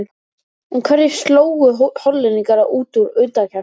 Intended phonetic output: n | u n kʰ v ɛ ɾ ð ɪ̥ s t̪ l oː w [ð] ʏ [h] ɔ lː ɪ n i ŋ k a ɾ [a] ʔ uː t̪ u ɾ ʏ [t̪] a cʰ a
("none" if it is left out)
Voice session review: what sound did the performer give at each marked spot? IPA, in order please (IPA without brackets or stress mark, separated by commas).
ɣ, h, a, t̪